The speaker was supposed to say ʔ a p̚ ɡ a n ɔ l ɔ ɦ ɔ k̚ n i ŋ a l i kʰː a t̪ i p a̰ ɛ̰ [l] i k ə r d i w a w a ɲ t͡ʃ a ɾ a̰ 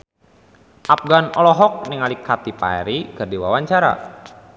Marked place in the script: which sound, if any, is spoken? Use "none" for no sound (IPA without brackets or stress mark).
ɾ